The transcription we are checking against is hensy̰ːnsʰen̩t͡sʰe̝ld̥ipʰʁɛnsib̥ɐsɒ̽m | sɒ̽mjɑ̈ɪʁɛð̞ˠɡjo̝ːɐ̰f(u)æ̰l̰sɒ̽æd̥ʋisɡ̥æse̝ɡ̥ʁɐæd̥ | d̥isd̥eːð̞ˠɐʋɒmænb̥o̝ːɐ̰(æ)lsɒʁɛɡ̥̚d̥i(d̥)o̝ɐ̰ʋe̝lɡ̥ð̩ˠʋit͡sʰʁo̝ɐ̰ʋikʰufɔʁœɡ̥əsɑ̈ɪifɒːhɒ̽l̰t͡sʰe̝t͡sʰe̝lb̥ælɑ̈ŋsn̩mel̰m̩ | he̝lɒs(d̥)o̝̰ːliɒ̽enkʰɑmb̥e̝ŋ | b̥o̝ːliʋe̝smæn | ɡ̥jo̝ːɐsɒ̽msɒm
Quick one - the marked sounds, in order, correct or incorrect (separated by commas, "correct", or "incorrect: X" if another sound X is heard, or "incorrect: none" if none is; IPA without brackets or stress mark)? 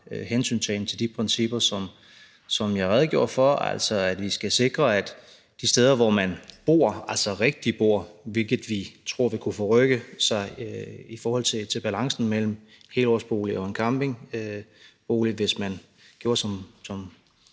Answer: incorrect: ɒ, correct, incorrect: b̥, incorrect: b̥